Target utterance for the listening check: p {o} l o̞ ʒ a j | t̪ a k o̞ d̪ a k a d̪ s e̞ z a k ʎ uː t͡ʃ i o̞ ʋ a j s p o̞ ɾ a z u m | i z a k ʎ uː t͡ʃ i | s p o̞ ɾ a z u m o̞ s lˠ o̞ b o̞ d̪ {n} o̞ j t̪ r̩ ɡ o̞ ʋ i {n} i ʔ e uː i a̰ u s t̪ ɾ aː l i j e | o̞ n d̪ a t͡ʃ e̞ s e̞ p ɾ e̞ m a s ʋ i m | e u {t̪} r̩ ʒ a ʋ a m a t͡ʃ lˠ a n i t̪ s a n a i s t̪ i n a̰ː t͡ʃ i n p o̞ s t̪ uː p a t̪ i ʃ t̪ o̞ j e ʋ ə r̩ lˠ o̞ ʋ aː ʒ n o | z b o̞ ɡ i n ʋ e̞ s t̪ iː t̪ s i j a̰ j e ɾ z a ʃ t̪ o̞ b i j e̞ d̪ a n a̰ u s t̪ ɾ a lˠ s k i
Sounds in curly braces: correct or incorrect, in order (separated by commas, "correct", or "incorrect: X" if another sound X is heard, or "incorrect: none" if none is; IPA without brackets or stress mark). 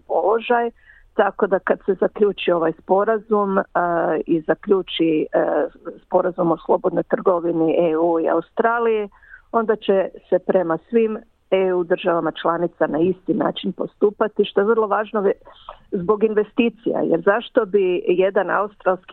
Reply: correct, correct, correct, incorrect: d̪